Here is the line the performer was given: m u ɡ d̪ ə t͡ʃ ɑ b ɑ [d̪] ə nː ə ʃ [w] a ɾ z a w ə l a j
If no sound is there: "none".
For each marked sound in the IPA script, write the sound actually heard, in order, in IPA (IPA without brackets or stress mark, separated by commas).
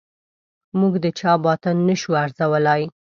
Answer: t̪, u